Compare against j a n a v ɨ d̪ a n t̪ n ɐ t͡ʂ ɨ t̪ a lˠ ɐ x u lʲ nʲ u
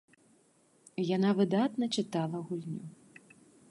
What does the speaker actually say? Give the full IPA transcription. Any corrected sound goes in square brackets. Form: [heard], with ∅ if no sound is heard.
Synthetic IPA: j a n a v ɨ d̪ a [∅] t̪ n ɐ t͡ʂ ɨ t̪ a lˠ ɐ [ɣ] u lʲ nʲ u